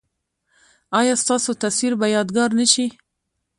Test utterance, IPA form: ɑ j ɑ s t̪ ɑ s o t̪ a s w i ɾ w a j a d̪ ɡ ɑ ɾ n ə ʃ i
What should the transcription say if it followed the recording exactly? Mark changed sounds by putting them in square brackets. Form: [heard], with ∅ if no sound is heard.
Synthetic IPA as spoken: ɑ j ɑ s t̪ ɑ s o t̪ a s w i ɾ [b] a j [ɑ] d̪ ɡ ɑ ɾ n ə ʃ i